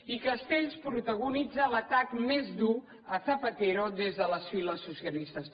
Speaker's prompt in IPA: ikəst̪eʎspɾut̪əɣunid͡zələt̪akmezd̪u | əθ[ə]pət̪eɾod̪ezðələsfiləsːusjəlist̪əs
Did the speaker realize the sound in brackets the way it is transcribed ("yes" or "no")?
yes